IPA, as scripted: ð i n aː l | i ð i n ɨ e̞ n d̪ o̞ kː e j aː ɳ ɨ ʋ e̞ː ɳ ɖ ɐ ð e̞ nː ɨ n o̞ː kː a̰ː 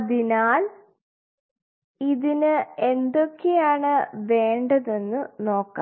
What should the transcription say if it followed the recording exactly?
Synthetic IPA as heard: ð i n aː l | i ð i n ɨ e̞ n d̪ o̞ kː e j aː ɳ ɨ ʋ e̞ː ɳ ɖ ɐ ð e̞ nː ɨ n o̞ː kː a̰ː